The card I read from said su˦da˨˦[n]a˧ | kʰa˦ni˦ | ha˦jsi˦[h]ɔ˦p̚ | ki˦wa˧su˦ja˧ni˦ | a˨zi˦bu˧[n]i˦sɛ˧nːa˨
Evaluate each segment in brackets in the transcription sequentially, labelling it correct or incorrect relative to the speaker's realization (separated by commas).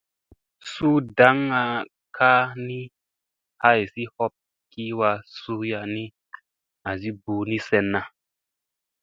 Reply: incorrect, correct, correct